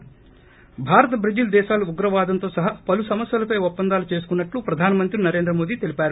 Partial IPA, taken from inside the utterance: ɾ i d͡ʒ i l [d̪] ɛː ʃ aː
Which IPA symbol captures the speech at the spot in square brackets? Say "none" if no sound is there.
d̪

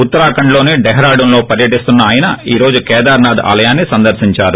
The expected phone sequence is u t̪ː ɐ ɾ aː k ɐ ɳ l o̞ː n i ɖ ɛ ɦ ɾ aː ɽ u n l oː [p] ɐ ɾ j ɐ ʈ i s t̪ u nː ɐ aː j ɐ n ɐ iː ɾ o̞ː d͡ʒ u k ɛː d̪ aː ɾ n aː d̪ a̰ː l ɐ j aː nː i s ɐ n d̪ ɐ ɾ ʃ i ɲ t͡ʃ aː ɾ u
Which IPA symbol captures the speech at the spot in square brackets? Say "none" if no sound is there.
p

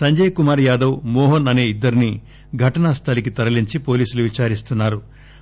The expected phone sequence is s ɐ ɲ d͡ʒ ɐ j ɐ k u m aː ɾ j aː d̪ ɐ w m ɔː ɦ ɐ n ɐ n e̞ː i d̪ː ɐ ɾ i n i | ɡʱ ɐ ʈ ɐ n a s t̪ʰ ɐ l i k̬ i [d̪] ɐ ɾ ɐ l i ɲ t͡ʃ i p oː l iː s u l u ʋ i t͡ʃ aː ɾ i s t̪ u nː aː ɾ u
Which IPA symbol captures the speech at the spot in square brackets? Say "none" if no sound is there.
t̪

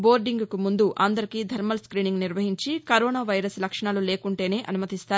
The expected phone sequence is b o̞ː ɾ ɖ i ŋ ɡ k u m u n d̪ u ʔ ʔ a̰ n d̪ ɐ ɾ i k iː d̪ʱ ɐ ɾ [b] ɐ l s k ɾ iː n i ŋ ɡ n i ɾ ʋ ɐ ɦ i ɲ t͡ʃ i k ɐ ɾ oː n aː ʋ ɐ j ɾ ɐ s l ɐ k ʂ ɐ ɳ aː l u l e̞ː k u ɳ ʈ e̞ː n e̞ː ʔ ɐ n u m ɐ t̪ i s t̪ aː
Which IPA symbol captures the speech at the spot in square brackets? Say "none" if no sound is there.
m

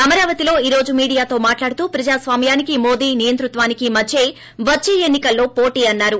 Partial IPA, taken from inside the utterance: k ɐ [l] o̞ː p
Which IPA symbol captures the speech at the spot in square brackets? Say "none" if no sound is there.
lː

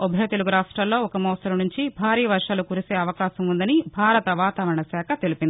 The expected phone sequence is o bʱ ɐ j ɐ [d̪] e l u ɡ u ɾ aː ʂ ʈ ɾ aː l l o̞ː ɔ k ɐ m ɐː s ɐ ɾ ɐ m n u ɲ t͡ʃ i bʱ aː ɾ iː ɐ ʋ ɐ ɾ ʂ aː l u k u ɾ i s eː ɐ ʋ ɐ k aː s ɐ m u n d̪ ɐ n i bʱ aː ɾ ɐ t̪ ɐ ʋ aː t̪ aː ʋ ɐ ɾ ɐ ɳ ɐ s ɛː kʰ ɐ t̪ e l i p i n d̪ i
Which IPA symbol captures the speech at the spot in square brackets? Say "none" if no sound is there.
t̪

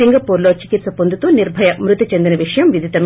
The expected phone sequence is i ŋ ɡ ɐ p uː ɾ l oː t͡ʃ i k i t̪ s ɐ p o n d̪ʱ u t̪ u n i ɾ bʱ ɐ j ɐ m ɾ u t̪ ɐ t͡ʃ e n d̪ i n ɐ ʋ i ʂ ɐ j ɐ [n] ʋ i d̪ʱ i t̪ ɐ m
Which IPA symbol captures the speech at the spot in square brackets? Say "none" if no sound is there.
m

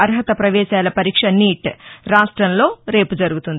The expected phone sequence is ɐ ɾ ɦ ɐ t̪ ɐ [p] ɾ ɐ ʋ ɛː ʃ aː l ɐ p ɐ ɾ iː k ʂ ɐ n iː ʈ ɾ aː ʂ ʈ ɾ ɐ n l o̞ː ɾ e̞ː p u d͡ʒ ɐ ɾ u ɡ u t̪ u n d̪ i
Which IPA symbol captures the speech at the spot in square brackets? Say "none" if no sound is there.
p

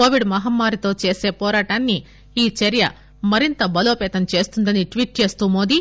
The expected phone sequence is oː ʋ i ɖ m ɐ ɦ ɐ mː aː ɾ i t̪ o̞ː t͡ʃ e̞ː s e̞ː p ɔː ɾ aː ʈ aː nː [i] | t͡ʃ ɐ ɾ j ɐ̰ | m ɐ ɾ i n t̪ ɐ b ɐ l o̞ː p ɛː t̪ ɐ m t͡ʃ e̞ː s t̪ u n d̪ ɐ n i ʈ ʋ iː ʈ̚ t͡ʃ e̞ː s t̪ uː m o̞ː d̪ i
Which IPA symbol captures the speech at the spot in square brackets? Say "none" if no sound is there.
iː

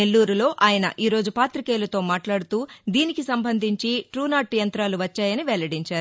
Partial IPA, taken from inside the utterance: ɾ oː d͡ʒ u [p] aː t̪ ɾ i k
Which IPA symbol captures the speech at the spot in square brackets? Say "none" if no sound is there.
p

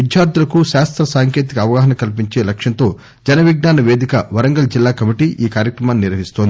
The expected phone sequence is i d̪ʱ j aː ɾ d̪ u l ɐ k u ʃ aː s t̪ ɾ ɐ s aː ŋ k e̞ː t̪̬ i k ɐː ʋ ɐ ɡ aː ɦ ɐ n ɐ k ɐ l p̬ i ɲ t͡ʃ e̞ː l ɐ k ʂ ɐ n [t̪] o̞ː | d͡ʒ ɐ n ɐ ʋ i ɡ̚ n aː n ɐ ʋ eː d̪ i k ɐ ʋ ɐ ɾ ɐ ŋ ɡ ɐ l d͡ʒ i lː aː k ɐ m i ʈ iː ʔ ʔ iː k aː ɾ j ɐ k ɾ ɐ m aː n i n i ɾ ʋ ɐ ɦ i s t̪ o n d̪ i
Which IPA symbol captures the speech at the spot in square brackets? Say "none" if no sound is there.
t̪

